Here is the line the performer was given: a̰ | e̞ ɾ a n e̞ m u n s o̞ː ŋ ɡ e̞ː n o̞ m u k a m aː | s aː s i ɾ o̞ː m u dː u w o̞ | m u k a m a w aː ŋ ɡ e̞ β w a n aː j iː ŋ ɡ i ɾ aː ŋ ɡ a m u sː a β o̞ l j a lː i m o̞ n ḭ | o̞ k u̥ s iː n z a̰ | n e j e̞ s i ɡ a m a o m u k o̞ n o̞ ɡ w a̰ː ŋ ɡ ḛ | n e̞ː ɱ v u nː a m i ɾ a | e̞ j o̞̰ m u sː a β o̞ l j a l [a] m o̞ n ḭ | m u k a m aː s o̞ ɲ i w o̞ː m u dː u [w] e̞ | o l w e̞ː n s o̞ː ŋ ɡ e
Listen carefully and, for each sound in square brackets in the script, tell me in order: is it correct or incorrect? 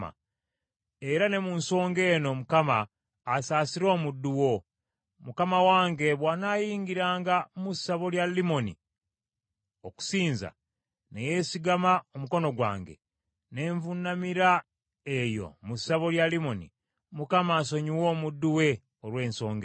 incorrect, correct

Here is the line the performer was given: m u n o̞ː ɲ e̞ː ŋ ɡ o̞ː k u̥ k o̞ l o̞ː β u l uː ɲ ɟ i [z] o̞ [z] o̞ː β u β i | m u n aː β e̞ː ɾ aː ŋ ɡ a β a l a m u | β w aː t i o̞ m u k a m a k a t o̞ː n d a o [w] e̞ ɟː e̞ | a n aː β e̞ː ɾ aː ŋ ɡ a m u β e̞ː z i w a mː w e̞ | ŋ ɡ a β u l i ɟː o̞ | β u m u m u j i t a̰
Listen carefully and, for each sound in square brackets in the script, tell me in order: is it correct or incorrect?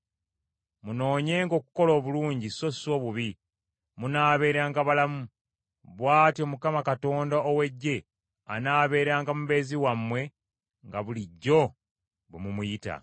incorrect, incorrect, correct

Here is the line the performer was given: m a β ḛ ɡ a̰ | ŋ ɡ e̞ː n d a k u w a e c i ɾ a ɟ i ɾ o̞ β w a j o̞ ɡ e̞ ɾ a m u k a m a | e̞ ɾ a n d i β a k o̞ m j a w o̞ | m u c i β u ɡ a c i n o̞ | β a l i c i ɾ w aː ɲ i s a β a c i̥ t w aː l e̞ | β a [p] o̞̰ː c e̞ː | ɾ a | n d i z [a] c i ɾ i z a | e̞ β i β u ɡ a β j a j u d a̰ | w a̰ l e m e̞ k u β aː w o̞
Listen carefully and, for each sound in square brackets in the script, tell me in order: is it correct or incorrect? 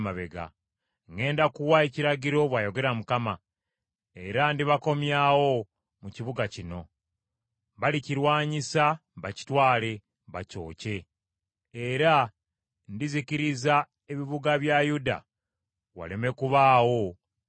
incorrect, incorrect

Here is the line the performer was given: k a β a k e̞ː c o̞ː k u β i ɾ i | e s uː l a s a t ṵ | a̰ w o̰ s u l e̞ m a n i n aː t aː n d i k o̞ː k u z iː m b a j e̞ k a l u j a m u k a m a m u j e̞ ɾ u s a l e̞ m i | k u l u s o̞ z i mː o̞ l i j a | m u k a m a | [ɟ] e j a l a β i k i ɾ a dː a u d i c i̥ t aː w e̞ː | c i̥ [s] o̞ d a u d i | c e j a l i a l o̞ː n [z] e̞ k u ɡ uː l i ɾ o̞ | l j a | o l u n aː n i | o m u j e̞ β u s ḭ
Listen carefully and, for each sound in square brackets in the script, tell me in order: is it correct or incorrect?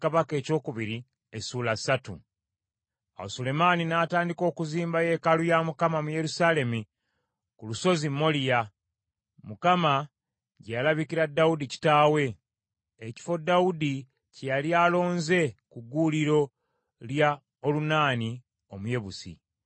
correct, incorrect, correct

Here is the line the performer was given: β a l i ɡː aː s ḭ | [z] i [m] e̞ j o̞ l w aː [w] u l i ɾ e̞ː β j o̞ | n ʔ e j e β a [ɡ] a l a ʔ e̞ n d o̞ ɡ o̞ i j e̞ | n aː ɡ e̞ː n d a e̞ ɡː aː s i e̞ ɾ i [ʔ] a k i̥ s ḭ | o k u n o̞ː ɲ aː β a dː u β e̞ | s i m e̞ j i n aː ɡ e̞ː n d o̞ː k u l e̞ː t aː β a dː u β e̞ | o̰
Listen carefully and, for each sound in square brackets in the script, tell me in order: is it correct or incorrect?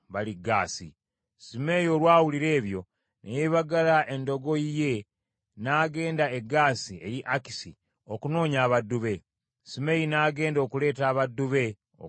incorrect, correct, correct, correct, correct

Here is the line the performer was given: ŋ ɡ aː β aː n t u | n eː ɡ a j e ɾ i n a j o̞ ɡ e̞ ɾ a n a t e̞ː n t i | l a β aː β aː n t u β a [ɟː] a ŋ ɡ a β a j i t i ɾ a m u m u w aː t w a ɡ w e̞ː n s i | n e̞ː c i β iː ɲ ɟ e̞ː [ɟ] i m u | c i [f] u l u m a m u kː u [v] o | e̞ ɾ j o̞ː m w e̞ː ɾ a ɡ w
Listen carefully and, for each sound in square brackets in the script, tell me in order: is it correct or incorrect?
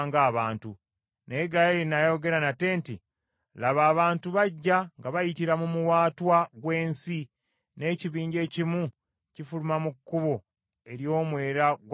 correct, incorrect, correct, incorrect

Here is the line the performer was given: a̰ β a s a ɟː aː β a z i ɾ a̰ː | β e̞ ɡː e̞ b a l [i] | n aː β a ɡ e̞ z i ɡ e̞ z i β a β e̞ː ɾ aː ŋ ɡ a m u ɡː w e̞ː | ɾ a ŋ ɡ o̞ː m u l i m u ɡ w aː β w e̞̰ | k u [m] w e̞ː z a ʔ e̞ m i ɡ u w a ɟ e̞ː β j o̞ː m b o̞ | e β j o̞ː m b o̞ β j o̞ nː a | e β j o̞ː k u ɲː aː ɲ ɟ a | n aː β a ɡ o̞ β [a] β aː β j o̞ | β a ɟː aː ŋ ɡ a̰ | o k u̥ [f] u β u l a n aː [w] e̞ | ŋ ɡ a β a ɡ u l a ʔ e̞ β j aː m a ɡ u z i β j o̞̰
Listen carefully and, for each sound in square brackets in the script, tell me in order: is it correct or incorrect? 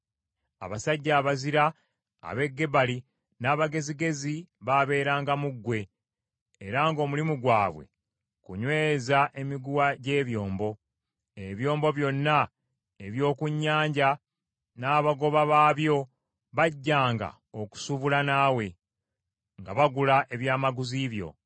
correct, incorrect, correct, incorrect, correct

